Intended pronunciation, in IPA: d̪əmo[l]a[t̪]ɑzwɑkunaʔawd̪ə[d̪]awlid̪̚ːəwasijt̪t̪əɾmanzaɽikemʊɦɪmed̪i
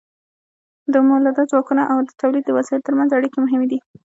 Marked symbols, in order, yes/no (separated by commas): yes, no, no